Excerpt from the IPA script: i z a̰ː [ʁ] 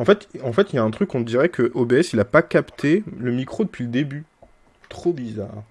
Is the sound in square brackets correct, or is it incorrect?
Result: correct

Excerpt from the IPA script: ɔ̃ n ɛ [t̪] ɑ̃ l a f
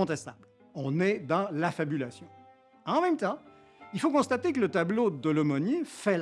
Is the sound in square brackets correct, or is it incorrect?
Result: incorrect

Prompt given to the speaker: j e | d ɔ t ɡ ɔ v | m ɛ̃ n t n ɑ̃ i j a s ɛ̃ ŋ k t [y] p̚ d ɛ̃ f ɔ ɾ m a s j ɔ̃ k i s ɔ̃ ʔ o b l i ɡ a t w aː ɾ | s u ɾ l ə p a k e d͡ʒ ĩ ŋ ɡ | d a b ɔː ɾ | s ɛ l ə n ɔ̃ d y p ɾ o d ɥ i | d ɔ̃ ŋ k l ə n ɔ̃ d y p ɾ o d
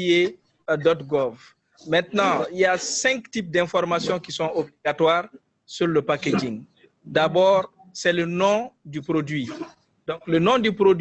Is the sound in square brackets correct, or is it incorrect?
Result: incorrect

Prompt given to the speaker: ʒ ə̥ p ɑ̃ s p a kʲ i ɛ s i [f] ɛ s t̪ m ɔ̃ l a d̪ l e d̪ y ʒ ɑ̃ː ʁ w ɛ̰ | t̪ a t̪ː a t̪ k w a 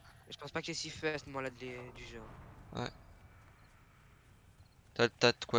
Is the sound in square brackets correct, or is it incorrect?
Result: correct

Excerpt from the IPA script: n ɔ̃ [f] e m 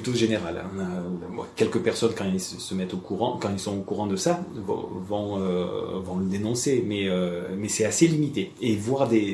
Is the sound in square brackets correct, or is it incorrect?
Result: incorrect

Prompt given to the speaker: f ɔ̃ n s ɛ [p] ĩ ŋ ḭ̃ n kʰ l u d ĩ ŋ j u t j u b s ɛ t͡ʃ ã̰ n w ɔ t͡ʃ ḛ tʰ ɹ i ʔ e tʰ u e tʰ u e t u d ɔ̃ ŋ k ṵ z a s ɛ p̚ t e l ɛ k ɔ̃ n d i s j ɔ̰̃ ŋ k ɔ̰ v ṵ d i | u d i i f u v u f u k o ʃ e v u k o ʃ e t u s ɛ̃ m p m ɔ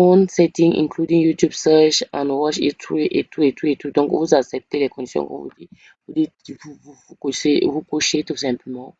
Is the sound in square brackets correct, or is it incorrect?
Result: incorrect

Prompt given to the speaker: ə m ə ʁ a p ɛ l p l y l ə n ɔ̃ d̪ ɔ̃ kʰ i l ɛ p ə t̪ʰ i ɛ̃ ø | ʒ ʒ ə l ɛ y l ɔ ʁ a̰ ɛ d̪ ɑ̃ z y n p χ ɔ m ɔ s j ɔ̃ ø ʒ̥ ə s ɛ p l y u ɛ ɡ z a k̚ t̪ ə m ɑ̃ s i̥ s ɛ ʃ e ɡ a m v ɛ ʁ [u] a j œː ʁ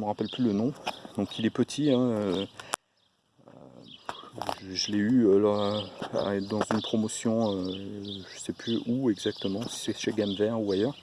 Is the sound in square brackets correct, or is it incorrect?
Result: correct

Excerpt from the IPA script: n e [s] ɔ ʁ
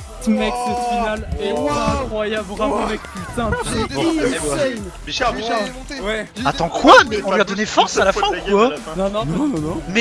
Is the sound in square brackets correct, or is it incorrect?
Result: incorrect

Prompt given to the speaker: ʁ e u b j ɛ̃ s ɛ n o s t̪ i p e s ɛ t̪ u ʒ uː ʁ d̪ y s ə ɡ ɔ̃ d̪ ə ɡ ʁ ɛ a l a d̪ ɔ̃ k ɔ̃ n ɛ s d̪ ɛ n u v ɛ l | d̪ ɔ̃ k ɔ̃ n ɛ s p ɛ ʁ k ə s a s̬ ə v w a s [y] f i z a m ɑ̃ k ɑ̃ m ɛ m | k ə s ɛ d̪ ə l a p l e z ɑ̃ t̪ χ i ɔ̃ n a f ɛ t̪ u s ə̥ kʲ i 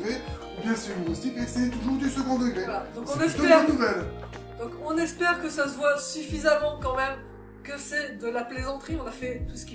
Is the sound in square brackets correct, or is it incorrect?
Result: correct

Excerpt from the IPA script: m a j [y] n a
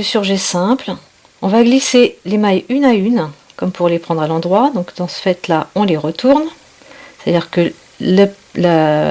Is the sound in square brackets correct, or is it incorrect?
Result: correct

